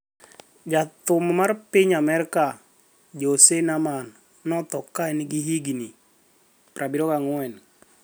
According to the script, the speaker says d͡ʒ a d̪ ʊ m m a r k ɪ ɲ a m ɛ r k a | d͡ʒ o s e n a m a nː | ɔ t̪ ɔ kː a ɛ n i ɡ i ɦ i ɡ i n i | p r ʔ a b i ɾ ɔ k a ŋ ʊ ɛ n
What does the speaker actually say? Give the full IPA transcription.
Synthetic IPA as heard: d͡ʒ a t̪ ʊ m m a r p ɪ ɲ a m ɛ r k a | d͡ʒ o s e n a m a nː | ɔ t̪ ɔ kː a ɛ n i ɡ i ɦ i ɡ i n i | p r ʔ a b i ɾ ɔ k a ŋ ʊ ɛ n

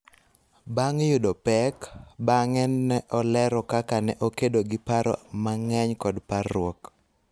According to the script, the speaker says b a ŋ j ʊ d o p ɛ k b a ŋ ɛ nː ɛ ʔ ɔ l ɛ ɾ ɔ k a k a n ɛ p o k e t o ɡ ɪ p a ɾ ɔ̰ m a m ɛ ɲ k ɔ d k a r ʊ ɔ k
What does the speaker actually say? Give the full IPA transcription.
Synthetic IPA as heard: b a ŋ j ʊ d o p ɛ k b a ŋ ɛ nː ɛ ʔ ɔ l ɛ ɾ ɔ k a k a n ɛ ʔ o k e d o ɡ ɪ p a ɾ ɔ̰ m a ŋ ɛ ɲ k ɔ d p a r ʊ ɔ k

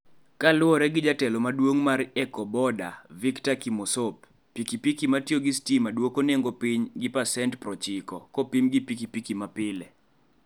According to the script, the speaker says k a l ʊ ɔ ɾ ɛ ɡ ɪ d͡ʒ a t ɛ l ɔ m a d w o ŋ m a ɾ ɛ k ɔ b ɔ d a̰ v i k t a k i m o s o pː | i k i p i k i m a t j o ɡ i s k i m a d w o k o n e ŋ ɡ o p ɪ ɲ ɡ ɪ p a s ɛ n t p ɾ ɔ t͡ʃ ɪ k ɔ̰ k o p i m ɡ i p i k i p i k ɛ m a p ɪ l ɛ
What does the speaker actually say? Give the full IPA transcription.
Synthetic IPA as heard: k a l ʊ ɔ ɾ ɛ ɡ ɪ d͡ʒ a t ɛ l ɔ m a d w o ŋ m a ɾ ɛ k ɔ b ɔ d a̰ v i k t a k i m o s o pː | i k i p i k i m a t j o ɡ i s t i m a d w o k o n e ŋ ɡ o p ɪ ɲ ɡ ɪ p a s ɛ n t p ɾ ɔ t͡ʃ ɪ k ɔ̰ k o p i m ɡ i p i k i p i k i m a p ɪ l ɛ

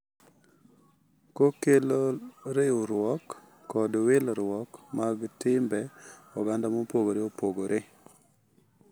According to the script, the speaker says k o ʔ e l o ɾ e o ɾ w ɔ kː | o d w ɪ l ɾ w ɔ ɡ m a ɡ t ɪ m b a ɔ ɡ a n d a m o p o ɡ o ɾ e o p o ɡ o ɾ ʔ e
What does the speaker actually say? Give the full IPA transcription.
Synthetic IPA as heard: k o k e l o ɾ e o ɾ w ɔ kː | ɔ d w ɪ l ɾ w ɔ k m a ɡ t ɪ m b ɛ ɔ ɡ a n d a m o p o ɡ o ɾ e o p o ɡ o ɾ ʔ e

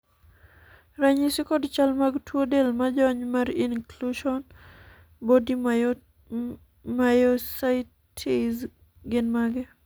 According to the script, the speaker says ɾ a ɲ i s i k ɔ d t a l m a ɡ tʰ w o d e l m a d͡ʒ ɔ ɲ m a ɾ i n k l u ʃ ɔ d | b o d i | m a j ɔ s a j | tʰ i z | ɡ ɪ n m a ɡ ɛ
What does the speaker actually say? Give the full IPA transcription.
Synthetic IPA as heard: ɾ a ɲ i s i k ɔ d t͡ʃ a l m a ɡ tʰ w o d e l m a d͡ʒ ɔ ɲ m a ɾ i n k l u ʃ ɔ n | b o d i | m a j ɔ s a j | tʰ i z | ɡ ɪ n m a ɡ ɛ

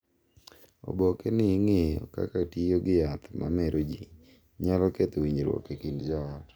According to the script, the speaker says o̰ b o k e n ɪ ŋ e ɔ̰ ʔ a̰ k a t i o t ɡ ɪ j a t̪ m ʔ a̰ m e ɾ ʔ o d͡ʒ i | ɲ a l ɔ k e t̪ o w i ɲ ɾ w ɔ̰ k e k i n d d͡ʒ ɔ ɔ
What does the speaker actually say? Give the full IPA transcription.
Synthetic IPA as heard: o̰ b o k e n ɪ ŋ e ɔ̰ k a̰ k a t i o ɡ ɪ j a t̪ m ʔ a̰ m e ɾ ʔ o d͡ʒ i | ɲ a l ɔ k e t̪ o w i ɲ ɾ w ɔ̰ k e k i n d d͡ʒ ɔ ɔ

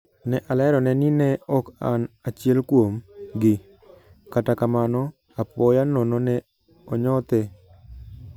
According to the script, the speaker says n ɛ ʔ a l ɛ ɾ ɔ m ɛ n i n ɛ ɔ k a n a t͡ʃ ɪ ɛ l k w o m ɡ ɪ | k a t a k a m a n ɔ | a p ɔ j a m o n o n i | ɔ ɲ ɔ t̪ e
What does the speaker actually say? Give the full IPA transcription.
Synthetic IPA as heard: n ɛ ʔ a l ɛ ɾ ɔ n ɛ n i n ɛ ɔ k a n a t͡ʃ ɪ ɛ l k w o m ɡ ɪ | k a t a k a m a n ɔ | a p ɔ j a n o n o n ɛ | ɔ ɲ ɔ t̪ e

